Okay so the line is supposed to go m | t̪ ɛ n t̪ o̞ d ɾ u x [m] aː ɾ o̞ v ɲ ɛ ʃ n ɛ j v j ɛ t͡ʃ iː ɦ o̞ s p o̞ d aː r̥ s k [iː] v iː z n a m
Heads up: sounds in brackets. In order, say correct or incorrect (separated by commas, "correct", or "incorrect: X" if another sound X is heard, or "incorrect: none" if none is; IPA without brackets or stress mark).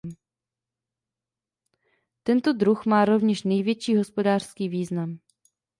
correct, correct